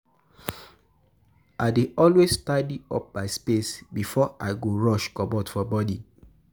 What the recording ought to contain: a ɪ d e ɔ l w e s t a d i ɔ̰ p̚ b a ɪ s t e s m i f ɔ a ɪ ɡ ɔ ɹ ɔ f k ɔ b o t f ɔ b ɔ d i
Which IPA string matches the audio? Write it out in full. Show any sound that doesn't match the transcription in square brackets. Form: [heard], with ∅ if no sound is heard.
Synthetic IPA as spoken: a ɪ d e ɔ l w e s t a d i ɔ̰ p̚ b a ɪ s [p] e s [b] i f ɔ a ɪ ɡ [o] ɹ ɔ [ʃ] k ɔ b [ɔ] t f ɔ b ɔ d i

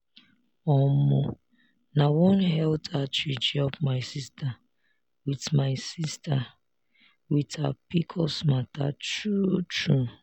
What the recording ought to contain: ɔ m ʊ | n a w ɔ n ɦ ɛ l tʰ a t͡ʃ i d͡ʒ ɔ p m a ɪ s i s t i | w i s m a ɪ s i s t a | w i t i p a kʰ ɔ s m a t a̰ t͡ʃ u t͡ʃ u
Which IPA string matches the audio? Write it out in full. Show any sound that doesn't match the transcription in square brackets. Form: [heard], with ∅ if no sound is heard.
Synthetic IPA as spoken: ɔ m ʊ | n a w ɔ n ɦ ɛ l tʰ a t͡ʃ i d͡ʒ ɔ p m a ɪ s i s t [a] | w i [t] m a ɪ s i s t a | w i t [a] p [i] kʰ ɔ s m a t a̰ t͡ʃ u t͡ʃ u

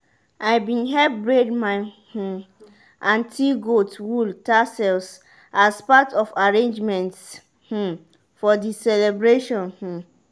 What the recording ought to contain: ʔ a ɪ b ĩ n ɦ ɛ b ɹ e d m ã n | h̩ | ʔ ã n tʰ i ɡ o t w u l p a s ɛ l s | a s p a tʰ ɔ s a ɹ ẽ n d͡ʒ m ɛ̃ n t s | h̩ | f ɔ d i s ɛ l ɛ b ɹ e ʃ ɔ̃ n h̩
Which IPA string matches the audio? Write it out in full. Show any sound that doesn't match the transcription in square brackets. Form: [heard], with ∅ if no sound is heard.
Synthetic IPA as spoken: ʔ a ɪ b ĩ n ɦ ɛ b ɹ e d m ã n | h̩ | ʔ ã n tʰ i ɡ o t w u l [t] a s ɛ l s | a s p a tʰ ɔ [f] a ɹ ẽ n d͡ʒ m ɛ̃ n t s | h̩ | f ɔ d i s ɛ l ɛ b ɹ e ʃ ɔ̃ n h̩

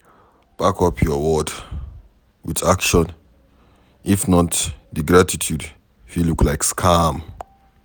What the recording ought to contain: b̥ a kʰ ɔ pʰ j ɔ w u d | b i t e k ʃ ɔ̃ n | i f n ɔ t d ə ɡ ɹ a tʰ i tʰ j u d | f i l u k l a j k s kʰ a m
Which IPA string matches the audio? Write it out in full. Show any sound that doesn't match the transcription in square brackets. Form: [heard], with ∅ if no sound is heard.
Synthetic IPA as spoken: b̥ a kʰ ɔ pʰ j ɔ w [ɔ] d | [w] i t [a] k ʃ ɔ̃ n | i f n ɔ t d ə ɡ ɹ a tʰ i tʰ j u d | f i l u k l a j k s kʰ a m

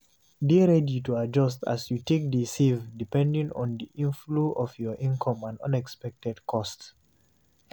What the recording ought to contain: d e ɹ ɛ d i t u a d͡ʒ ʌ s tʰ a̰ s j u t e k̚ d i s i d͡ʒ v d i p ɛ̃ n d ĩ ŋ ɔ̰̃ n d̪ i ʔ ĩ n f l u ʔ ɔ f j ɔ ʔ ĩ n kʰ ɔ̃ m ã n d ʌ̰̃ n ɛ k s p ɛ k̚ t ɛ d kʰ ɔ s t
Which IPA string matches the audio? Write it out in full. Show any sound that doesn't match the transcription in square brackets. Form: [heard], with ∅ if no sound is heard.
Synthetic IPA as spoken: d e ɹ ɛ d i t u a d͡ʒ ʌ s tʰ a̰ s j u t e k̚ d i s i [∅] v d i p ɛ̃ n d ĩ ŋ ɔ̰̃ n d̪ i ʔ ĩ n f l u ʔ ɔ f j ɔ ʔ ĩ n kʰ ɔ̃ m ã n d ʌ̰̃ n ɛ k s p ɛ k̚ t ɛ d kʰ ɔ s t

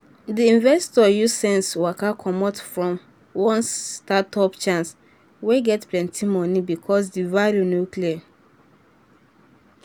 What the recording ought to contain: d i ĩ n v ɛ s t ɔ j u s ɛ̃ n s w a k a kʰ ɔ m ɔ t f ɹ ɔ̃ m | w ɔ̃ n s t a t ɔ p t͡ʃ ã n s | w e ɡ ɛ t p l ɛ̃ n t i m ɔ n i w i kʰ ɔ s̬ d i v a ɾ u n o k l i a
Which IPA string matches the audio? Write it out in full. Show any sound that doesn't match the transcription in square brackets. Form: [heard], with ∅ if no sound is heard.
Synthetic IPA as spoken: d i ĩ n v ɛ s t ɔ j u s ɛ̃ n s w a k a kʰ ɔ m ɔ t f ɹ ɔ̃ m | w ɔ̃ n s t a t ɔ p t͡ʃ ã n s | w e ɡ ɛ t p l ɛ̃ n t i m ɔ n i [b] i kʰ ɔ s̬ d i v a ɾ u n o k l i a

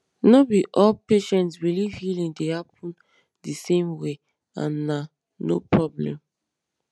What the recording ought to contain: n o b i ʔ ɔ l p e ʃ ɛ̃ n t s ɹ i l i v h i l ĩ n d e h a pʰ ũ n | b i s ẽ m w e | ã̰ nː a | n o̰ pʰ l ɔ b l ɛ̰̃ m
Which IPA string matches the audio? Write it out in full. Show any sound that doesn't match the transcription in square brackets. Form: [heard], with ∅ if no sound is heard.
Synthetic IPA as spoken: n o b i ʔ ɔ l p e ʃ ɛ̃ n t s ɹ i l i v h i l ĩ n d e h a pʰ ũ n | [d] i s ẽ m w e | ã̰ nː a | n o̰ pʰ [ɹ] ɔ b l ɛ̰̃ m

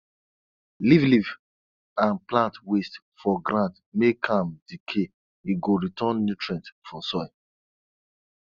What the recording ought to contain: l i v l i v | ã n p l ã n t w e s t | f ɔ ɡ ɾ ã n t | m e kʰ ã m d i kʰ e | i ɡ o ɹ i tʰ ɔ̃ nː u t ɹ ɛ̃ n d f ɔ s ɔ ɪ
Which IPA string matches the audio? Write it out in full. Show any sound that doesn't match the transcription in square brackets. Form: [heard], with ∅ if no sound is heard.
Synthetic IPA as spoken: l i v l i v | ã n p l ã n t w e s t | f ɔ ɡ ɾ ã n t | m e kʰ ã m d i kʰ e | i ɡ o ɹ i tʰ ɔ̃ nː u t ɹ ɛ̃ n [t] f ɔ s ɔ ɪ

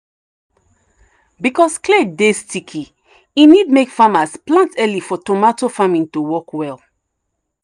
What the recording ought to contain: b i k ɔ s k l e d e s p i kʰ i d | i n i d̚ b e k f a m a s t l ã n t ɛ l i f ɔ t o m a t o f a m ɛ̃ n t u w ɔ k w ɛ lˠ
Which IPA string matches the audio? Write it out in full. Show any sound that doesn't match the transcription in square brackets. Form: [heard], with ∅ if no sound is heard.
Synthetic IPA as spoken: b i k ɔ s k l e d e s [t] i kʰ i [∅] | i n i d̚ [m] e k f a m a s [p] l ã n t ɛ l i f ɔ t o m a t o f a m [ĩ] n t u w ɔ k w ɛ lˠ

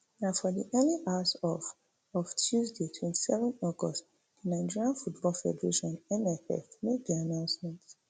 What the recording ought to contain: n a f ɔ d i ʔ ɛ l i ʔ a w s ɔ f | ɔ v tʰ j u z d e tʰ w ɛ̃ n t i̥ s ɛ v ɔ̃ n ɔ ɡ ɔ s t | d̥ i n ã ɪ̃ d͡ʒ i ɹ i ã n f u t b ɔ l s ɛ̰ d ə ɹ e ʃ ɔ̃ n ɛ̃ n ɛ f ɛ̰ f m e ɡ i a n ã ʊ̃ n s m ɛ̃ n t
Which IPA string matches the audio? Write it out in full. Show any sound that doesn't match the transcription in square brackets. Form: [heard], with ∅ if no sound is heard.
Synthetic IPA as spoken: n a f ɔ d i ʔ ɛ l i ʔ a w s ɔ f | ɔ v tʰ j u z d e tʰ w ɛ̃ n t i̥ s ɛ v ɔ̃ n ɔ ɡ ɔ s t | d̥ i n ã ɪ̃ d͡ʒ i ɹ i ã n f u t b ɔ l [f] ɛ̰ d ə ɹ e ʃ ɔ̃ n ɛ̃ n ɛ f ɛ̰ f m e [b] i a n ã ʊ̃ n s m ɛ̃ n t

